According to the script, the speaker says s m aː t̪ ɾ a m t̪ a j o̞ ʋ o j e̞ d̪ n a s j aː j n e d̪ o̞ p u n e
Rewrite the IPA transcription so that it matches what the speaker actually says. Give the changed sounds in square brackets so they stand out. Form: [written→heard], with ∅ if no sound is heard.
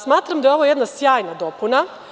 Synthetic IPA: s m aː t̪ ɾ a m [t̪→d̪] a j o̞ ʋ o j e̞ d̪ n a s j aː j n [e→a] d̪ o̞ p u n [e→a]